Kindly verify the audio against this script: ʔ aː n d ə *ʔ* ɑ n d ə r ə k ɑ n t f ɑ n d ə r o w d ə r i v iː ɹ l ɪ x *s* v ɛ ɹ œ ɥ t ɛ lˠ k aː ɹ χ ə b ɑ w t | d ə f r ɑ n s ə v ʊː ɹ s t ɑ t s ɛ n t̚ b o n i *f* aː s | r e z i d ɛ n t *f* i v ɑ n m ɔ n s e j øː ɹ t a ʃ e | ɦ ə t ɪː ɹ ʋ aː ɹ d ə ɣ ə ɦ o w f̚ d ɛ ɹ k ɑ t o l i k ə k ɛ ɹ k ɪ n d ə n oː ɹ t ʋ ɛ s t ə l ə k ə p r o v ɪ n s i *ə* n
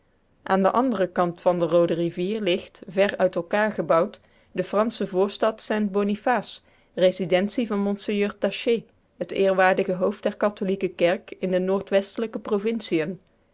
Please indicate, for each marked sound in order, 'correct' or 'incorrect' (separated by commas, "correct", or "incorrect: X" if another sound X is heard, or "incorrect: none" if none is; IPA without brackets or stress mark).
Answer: correct, incorrect: t, correct, incorrect: s, correct